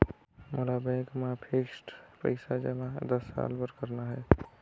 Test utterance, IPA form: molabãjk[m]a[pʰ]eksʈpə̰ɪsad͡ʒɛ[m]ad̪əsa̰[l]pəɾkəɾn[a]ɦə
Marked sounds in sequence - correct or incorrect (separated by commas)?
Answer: correct, correct, correct, correct, correct